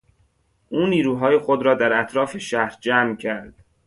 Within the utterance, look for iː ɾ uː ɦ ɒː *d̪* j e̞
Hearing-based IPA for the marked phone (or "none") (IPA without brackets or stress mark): none